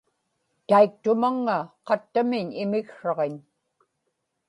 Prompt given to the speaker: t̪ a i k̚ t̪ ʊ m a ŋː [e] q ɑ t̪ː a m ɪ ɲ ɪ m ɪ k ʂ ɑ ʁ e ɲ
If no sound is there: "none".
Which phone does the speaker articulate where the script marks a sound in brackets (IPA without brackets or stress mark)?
a